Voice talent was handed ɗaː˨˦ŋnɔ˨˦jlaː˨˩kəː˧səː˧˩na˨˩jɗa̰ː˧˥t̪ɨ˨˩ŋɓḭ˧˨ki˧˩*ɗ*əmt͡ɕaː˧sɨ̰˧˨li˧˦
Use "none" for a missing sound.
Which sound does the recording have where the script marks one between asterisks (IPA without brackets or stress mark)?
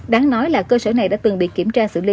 none